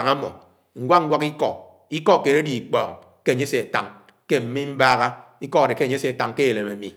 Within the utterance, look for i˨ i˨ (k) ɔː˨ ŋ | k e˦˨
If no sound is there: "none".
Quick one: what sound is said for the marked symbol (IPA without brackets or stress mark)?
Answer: k͡p